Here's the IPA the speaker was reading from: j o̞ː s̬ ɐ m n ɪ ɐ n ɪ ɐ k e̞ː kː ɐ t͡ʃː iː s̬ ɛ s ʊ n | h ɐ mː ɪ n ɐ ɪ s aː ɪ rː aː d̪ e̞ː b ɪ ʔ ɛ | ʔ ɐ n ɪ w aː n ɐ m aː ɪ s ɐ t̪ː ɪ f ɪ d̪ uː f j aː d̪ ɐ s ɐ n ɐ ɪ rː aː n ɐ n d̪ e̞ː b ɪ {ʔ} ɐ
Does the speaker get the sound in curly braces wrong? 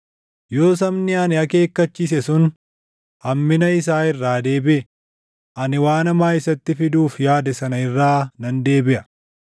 no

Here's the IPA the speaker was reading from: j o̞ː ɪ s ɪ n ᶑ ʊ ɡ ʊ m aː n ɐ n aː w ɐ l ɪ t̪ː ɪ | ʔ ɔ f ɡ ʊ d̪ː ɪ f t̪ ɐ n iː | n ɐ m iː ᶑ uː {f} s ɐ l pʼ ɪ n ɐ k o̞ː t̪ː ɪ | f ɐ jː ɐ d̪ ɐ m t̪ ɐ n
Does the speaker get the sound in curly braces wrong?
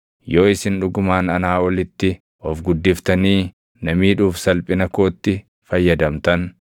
no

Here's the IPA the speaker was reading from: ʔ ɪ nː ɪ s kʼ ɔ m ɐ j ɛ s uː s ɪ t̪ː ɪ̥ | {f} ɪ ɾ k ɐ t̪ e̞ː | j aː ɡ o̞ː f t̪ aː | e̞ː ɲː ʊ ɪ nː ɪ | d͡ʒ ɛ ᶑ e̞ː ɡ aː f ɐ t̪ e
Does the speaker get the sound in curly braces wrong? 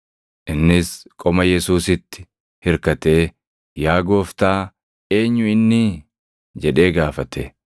yes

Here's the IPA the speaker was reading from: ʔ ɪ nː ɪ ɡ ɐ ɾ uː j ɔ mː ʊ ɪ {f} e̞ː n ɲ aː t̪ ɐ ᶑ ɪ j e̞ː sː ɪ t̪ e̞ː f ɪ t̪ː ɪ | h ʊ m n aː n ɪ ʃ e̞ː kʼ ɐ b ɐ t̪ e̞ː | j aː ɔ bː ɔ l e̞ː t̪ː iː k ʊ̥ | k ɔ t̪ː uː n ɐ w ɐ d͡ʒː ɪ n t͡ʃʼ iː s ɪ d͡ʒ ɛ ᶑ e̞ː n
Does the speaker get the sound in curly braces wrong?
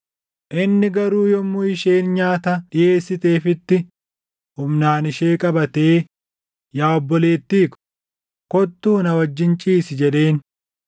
yes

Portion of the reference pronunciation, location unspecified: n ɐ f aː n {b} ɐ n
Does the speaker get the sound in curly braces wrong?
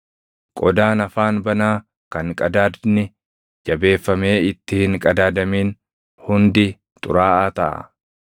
no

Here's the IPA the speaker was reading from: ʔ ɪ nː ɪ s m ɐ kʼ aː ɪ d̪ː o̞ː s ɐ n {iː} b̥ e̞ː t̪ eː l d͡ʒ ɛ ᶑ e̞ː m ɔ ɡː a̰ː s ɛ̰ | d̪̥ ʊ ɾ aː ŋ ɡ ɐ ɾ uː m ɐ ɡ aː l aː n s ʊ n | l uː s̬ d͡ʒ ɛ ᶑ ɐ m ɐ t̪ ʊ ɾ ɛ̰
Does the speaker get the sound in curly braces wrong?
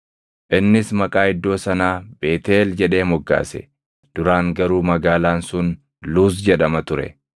yes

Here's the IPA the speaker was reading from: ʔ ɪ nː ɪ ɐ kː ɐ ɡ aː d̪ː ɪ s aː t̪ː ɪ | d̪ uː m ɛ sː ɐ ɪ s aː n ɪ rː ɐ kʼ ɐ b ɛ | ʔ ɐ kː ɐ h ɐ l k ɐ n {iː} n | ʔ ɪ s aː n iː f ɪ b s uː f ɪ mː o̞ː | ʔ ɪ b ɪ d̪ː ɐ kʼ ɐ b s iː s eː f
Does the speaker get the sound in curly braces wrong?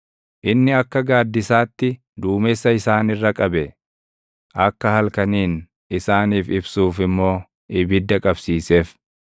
no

